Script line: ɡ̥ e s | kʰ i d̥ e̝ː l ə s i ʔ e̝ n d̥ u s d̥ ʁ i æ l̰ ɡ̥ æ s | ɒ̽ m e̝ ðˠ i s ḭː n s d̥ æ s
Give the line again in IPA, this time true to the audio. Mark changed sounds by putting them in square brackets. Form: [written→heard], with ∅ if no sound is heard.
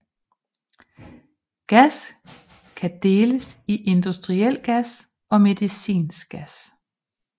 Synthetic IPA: ɡ̥ [e→æ] s | kʰ [i→æ] d̥ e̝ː l ə s i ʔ e̝ n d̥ u s d̥ ʁ i [æ→e] l̰ ɡ̥ æ s | ɒ̽ m e̝ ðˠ i s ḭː n s [d̥→ɡ̥] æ s